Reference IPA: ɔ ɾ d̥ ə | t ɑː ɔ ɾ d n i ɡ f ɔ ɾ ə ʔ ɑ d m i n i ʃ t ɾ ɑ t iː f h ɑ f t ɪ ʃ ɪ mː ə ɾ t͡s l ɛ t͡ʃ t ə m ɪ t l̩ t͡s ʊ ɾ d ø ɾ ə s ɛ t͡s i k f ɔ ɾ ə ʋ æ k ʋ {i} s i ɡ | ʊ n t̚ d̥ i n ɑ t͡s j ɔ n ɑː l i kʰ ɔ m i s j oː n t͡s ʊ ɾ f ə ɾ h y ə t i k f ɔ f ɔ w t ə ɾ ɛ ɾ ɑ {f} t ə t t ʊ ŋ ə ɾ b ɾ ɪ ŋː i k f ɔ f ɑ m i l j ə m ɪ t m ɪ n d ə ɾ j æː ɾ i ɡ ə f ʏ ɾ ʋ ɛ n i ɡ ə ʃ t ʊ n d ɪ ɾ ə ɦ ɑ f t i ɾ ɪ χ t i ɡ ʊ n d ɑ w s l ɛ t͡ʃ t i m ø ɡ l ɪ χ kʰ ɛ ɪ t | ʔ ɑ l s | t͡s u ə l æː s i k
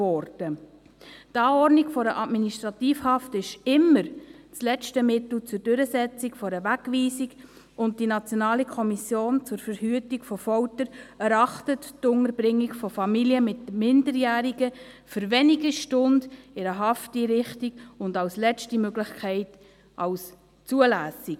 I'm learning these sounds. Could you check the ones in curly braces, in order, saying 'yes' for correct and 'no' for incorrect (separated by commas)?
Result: no, no